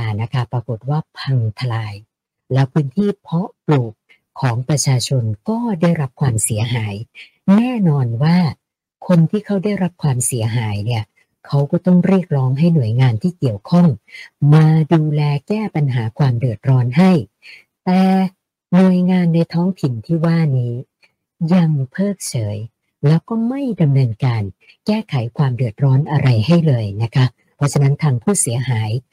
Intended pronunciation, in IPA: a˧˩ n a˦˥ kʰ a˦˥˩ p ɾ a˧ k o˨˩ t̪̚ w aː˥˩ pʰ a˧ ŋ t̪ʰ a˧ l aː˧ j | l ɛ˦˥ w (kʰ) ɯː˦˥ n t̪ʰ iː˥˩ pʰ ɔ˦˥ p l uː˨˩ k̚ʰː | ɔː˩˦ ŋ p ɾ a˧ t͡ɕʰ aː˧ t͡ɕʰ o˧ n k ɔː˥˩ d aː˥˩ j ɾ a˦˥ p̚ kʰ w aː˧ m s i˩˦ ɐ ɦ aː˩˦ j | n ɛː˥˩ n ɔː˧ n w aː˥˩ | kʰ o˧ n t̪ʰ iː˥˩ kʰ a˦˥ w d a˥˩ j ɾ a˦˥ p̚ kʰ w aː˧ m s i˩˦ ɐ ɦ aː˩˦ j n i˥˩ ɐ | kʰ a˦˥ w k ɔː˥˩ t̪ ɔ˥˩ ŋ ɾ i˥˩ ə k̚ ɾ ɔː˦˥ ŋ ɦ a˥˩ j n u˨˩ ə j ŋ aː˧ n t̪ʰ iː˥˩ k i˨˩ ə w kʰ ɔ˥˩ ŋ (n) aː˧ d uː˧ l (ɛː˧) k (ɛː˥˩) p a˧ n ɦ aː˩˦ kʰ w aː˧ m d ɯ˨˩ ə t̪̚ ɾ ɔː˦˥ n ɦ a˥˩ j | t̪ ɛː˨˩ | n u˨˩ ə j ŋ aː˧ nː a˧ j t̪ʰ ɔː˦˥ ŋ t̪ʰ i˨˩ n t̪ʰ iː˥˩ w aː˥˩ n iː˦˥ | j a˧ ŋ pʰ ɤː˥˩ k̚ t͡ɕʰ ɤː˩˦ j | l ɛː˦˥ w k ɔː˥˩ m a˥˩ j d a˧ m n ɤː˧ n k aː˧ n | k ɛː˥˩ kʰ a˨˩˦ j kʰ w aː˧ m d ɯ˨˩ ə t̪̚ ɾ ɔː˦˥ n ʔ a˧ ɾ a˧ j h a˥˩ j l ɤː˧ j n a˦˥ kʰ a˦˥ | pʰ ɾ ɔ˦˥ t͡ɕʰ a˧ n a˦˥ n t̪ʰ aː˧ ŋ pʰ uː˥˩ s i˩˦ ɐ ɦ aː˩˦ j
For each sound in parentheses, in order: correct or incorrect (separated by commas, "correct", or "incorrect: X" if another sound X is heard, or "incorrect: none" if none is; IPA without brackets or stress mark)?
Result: incorrect: pʰ, incorrect: m, correct, correct